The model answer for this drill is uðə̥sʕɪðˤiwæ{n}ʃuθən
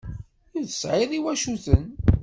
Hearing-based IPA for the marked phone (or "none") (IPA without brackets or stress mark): none